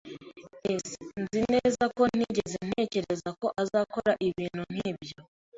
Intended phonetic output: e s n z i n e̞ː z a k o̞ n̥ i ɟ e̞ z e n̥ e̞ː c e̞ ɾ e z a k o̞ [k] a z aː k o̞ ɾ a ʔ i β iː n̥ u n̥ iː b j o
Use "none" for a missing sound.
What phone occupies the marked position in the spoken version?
ʔ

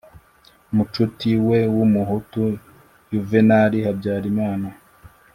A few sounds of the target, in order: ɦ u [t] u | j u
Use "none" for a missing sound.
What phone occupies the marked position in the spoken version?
t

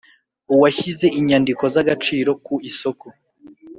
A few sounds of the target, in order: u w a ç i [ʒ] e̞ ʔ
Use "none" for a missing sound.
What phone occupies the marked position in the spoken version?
z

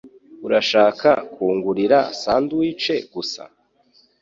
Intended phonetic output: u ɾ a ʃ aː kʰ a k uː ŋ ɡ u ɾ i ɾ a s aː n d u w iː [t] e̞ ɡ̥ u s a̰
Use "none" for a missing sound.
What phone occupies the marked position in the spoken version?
t͡ʃ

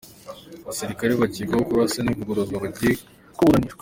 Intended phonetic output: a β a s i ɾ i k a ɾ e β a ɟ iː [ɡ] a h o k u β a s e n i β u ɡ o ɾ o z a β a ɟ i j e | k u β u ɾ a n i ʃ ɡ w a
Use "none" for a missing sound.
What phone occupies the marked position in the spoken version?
ɡ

